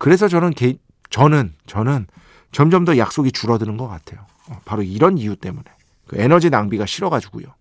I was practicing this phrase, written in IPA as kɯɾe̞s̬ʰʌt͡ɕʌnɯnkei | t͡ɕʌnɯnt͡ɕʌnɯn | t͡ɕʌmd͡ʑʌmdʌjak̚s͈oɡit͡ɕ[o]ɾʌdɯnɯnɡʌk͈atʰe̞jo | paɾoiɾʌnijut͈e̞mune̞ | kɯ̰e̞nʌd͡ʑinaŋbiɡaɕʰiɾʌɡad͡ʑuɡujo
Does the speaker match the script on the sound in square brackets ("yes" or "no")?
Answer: no